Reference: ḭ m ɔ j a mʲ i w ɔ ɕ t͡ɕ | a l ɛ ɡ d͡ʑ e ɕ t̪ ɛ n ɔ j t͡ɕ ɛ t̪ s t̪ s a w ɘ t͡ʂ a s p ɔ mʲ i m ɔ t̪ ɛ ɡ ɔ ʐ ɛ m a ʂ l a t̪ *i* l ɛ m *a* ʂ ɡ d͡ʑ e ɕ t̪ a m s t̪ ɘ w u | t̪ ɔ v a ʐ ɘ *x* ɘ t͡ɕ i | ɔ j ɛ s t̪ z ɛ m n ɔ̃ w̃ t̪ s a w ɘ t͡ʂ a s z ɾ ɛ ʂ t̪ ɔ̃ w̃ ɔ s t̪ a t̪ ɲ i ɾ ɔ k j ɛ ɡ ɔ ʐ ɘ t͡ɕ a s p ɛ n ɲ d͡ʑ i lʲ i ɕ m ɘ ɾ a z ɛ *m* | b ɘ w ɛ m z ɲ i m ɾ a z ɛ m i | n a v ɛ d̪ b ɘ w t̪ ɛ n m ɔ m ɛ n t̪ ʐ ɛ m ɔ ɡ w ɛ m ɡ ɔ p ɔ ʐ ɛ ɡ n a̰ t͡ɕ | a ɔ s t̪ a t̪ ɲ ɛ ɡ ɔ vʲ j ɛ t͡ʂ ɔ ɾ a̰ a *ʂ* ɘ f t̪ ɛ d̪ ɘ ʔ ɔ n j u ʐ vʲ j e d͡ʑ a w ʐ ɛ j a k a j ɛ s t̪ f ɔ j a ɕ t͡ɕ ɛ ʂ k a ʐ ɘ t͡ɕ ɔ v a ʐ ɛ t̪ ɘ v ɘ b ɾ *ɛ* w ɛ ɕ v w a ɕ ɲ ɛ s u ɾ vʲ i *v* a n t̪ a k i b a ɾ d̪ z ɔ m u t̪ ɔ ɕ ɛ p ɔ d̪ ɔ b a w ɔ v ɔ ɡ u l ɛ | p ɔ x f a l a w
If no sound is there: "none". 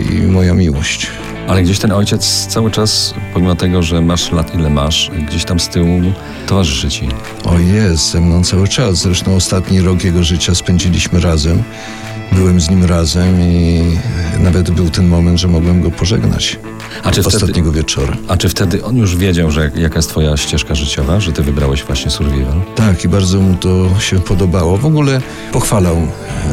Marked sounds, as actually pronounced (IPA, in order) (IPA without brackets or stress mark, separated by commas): i, a, ʂ, m, t͡ʂ, a, v